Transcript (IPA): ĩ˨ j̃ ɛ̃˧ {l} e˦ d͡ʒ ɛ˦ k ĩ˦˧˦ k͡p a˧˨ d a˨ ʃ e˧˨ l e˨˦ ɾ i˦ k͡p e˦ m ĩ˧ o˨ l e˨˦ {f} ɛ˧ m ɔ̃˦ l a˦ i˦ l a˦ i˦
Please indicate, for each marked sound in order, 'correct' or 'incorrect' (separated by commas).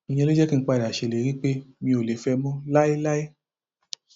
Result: correct, correct